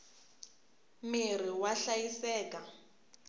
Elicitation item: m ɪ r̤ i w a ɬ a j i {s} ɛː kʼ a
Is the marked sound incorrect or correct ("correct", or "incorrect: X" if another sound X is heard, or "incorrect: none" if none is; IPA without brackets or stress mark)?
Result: correct